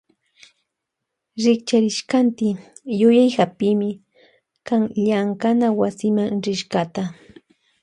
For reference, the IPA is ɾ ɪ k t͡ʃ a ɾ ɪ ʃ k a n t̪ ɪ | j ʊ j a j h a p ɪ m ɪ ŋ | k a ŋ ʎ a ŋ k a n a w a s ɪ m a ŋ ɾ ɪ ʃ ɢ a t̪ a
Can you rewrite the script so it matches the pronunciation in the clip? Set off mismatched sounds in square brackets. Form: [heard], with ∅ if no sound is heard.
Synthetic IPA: ɾ ɪ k t͡ʃ a ɾ ɪ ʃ k a n t̪ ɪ | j ʊ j a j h a p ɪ m ɪ [∅] | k a ŋ ʎ a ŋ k a n a w a s ɪ m a ŋ ɾ ɪ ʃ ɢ a t̪ a